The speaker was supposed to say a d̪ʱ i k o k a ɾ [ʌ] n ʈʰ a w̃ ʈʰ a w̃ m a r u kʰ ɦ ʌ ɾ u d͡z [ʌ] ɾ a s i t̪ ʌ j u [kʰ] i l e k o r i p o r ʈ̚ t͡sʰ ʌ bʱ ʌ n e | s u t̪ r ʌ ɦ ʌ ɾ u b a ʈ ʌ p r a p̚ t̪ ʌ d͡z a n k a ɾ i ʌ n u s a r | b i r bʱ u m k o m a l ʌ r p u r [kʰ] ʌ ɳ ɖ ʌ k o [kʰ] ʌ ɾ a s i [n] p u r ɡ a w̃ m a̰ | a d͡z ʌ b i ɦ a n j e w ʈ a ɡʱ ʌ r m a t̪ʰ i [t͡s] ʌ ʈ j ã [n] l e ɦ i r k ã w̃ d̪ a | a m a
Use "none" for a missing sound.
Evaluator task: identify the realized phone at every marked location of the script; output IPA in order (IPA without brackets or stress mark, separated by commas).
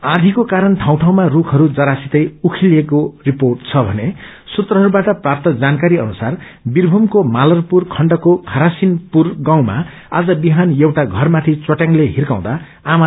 ʌ, ʌ, kʰ, kʰ, kʰ, n, t͡s, ŋ